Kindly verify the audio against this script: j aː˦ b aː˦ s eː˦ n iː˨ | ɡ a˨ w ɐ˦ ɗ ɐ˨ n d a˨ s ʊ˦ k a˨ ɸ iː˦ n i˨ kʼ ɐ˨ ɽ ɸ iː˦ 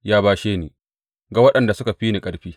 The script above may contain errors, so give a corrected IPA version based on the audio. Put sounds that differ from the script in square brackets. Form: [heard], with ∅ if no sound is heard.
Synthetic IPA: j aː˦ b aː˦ [ʃ] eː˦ n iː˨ | ɡ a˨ w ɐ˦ ɗ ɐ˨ n d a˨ s ʊ˦ k a˨ ɸ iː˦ n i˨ kʼ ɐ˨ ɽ ɸ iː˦